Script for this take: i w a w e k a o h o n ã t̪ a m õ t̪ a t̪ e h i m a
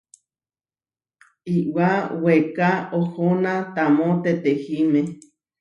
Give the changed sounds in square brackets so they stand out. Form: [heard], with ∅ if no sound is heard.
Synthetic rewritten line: i w a w e k a o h o n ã t̪ a m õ t̪ [e] t̪ e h i m [e]